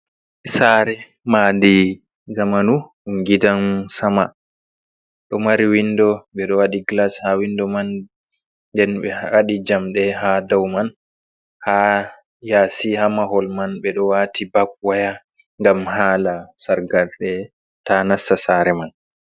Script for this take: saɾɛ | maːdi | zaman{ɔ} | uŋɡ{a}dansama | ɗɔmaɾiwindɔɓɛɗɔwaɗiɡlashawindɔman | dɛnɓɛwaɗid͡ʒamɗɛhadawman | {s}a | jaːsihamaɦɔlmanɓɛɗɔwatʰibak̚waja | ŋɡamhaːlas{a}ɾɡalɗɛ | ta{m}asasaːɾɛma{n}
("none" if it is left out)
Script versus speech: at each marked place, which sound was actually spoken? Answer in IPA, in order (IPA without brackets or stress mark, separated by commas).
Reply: u, i, h, a, n, n